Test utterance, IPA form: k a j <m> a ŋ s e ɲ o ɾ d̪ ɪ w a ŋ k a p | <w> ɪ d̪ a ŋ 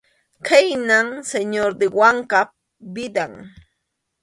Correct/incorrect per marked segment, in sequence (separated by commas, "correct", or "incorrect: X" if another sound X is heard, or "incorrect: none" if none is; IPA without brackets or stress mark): incorrect: n, incorrect: b